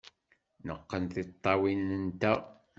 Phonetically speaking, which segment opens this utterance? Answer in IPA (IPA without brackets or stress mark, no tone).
n